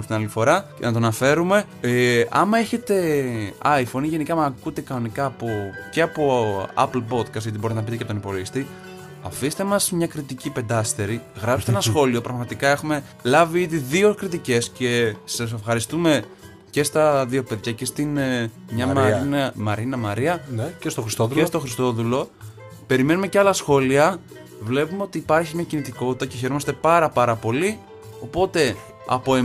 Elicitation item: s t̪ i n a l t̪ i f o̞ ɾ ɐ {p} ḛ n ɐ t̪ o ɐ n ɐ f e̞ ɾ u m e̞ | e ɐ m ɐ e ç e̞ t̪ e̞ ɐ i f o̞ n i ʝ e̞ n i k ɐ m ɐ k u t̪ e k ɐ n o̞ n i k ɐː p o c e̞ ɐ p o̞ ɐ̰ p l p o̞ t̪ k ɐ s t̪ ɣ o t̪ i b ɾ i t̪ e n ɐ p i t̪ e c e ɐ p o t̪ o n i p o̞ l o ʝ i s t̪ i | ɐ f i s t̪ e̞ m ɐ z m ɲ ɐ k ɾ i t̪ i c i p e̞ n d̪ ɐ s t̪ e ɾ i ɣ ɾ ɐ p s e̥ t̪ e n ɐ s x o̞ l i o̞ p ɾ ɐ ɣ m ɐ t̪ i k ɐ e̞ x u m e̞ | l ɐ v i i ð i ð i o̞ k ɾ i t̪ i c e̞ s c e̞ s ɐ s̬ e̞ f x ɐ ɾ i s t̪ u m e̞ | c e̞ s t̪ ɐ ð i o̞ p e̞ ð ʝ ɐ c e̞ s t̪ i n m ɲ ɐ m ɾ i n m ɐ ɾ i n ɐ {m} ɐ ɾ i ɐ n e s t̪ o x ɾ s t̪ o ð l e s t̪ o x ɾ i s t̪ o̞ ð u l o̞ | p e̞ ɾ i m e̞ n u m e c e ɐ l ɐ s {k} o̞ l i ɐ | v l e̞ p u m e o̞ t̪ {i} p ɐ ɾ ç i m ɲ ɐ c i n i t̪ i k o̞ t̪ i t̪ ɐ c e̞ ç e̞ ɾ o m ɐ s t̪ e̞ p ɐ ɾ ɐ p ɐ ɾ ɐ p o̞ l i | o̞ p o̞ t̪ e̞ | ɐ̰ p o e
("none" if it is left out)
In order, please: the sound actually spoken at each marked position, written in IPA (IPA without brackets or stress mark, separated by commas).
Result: c, m, x, iː